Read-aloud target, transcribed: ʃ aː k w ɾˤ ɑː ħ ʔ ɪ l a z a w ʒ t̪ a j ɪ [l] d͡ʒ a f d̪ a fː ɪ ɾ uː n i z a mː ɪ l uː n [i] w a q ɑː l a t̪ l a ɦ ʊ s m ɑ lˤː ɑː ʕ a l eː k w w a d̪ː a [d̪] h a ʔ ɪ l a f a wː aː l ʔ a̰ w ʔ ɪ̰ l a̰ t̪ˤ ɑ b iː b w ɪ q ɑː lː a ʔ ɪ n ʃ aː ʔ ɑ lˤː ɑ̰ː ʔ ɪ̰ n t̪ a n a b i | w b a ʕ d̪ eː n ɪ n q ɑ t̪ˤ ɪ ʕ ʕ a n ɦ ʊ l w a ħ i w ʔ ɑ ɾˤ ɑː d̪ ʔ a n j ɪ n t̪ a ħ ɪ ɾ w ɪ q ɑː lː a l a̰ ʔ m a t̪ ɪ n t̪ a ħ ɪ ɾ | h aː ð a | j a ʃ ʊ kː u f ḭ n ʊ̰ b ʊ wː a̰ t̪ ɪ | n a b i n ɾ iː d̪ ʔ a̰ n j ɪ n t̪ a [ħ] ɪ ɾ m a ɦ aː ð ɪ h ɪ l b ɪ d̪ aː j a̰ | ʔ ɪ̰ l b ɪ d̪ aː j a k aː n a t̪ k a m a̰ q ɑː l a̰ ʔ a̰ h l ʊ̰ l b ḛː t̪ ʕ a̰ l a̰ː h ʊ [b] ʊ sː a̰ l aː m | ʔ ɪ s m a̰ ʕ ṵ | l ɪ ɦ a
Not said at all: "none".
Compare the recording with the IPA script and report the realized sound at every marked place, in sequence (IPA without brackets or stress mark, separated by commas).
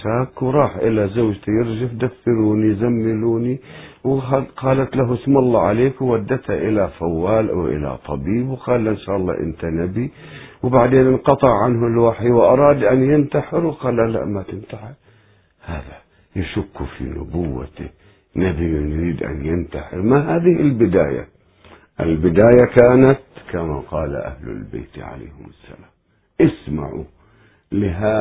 ɾ, i, t̪, ħ, m